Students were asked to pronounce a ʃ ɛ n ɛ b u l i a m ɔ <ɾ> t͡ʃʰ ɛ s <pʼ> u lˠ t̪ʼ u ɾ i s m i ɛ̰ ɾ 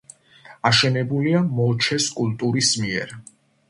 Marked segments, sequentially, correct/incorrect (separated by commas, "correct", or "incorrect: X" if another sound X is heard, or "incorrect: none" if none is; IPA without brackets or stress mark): incorrect: none, incorrect: kʼ